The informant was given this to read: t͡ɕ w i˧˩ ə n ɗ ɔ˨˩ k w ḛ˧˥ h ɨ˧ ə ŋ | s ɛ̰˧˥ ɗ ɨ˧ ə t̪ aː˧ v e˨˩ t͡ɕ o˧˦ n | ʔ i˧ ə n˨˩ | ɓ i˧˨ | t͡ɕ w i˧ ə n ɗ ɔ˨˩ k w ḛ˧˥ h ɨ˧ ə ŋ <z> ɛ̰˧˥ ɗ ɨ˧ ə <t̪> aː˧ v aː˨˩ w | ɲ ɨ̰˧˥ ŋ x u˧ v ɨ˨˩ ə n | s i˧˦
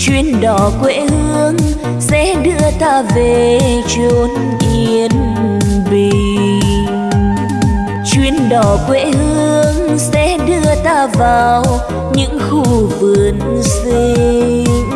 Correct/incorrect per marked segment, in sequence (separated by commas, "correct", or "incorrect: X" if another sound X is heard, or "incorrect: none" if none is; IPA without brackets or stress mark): incorrect: s, correct